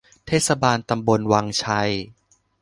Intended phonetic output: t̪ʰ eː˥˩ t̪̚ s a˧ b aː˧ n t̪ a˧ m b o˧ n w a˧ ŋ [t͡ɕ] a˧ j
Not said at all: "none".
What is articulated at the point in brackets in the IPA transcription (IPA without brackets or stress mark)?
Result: t͡ɕʰ